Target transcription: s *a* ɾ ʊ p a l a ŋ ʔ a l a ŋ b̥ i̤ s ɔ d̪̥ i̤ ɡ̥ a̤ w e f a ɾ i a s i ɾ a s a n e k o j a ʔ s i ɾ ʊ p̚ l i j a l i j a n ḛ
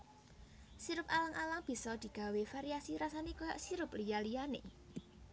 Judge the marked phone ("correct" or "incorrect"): incorrect